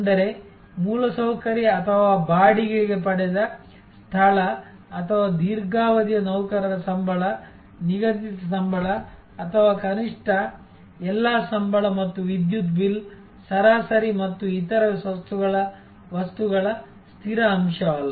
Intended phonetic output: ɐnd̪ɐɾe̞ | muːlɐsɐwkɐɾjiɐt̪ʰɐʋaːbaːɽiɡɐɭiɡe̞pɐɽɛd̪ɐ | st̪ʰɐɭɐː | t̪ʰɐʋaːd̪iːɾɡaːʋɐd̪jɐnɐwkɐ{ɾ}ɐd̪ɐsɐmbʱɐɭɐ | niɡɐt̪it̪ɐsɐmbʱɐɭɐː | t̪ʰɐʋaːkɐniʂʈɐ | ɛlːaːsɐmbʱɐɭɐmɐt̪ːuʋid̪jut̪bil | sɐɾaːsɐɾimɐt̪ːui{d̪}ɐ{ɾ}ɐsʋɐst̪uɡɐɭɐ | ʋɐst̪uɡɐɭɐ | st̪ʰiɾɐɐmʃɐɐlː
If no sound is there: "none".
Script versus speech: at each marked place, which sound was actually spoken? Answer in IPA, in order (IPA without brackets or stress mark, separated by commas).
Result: ɾ, t̪, ɾ